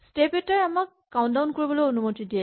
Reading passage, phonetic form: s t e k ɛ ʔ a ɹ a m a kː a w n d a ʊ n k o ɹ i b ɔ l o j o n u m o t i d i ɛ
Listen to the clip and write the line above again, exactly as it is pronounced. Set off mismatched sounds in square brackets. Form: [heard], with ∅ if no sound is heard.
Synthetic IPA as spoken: s t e [p] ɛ [t] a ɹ a m a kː a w n d a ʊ n k o ɹ i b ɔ l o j o n u m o t i d i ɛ